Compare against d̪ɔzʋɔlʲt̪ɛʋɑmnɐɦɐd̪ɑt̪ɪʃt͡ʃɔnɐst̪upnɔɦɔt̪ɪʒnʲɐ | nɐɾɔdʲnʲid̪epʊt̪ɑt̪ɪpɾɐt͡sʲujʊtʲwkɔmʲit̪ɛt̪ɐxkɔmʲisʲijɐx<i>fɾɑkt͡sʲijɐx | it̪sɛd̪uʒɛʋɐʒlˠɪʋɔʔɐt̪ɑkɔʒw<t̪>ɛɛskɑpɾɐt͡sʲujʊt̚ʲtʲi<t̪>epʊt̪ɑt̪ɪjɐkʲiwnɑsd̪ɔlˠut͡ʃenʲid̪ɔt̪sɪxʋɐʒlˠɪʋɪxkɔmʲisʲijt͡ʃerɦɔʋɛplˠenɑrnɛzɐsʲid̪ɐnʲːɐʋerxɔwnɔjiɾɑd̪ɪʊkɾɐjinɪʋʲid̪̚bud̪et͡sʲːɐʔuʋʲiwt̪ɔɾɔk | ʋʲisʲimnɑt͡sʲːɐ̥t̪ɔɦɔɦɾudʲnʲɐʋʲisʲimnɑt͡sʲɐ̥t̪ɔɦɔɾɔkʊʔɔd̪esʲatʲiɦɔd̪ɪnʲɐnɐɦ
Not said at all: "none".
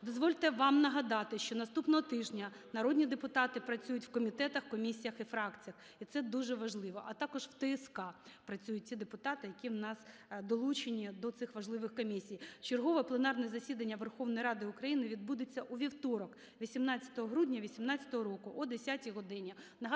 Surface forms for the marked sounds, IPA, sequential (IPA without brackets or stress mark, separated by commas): i, t̪, d̪